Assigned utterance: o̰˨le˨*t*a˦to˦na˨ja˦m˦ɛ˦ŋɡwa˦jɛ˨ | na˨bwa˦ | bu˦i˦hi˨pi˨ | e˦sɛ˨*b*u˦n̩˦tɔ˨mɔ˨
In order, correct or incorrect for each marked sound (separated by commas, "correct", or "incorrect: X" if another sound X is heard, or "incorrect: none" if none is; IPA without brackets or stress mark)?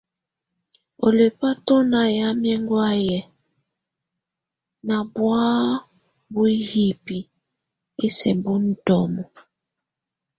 incorrect: p, correct